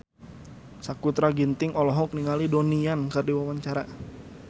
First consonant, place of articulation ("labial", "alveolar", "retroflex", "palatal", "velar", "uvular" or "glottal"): alveolar